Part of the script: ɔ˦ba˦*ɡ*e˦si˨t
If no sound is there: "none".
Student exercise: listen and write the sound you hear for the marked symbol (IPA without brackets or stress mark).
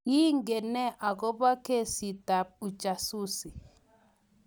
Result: k